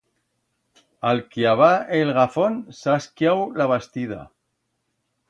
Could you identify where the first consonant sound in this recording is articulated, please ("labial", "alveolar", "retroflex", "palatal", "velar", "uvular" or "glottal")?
alveolar